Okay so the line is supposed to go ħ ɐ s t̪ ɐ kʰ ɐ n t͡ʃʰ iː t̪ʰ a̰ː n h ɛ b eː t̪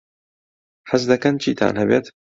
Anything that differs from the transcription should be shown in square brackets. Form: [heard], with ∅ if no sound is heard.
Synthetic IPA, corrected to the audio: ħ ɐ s [d̪] ɐ [k] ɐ n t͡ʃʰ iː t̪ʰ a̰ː n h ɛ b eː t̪